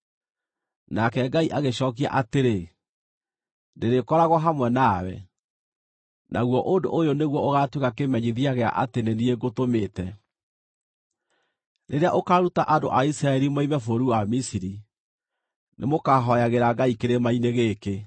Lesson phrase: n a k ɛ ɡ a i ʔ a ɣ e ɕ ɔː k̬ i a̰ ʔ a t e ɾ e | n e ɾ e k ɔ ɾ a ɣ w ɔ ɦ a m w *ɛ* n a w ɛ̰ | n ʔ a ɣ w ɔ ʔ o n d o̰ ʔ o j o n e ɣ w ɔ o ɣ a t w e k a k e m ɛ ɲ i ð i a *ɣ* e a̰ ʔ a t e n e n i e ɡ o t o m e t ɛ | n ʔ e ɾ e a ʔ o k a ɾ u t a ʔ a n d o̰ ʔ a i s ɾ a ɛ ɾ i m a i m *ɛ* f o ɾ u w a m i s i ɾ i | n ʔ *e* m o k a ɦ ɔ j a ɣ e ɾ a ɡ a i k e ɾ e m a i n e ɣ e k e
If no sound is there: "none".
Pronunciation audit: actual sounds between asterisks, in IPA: ɛ, ɣ, ɛ, e

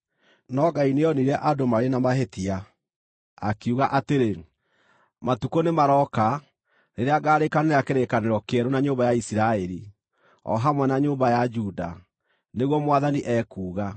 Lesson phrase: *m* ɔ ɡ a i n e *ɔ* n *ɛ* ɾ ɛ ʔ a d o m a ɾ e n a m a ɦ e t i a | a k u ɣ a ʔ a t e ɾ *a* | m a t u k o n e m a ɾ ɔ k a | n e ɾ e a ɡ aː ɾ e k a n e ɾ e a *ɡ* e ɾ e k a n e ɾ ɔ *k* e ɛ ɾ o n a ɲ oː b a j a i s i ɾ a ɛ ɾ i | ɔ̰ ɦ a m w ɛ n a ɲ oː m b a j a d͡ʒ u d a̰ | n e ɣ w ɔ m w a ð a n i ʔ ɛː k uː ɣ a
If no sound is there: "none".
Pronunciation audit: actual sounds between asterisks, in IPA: n, ɔ, i, e, k, k

